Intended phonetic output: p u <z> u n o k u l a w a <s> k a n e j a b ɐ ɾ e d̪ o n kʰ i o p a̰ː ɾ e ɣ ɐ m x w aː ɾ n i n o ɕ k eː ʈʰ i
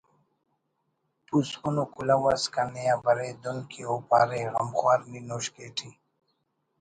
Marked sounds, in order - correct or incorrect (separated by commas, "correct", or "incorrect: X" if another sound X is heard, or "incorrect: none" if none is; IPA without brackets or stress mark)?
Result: incorrect: s, correct